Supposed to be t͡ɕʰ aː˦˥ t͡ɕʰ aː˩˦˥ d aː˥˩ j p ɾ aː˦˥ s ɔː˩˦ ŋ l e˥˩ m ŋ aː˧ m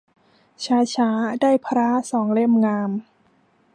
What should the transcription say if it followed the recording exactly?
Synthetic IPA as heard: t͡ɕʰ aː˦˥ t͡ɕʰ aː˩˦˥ d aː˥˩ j pʰ ɾ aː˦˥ s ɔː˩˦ ŋ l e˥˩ m ŋ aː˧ m